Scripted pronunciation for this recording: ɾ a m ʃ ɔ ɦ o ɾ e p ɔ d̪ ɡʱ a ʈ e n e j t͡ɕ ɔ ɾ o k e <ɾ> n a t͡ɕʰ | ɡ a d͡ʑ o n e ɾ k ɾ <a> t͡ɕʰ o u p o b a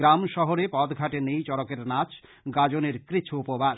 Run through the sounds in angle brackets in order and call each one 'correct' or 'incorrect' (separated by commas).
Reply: correct, incorrect